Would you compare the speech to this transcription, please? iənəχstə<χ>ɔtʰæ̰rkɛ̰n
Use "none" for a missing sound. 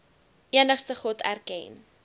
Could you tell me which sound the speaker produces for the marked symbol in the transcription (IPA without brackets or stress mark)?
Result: χ